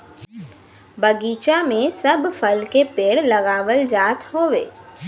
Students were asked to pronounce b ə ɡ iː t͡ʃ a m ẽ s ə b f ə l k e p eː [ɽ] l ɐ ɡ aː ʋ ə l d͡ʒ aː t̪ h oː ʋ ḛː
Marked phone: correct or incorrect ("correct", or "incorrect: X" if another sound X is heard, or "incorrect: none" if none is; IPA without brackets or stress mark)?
correct